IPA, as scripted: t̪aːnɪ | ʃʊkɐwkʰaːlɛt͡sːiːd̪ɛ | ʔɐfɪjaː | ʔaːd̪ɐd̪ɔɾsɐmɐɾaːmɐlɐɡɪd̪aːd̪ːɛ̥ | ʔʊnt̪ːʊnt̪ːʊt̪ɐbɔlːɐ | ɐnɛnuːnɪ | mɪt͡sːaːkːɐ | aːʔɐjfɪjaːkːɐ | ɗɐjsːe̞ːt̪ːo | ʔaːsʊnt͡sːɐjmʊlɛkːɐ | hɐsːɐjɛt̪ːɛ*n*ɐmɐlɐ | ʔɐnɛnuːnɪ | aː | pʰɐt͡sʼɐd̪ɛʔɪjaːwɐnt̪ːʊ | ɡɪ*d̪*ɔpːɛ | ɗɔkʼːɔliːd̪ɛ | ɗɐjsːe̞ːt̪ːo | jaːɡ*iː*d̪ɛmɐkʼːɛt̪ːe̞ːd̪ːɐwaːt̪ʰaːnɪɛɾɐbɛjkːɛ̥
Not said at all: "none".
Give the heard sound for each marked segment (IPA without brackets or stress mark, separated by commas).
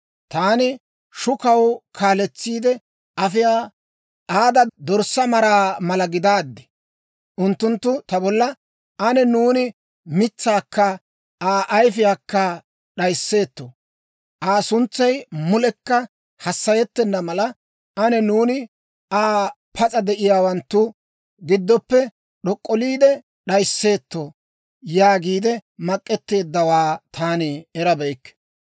nː, d̪ː, iː